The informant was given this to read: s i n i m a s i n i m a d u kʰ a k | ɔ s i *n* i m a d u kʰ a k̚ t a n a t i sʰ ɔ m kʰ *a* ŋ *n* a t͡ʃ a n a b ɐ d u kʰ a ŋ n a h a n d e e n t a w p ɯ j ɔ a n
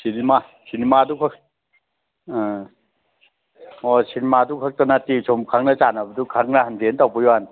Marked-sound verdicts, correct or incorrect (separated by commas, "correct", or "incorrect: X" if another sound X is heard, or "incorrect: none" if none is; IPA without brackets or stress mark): correct, correct, correct